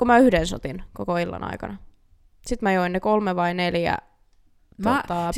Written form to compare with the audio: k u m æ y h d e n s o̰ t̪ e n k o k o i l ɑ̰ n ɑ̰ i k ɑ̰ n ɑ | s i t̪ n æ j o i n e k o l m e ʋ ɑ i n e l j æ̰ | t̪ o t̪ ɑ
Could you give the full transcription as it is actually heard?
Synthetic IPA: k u m æ y h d e n s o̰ t̪ i n k o k o i lː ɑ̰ n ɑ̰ i k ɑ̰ n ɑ | s i t̪ m æ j o i n e k o l m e ʋ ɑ i n e l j æ̰ | t̪ o t̪ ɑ